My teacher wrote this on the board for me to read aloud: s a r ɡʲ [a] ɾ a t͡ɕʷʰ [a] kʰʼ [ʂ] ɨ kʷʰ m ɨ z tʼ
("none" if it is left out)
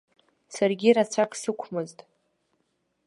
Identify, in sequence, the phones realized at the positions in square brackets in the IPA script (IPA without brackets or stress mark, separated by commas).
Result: i, a, s